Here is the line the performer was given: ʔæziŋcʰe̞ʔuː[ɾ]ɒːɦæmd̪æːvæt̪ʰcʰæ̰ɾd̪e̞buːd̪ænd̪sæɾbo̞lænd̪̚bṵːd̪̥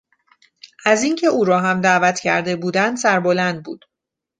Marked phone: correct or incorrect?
correct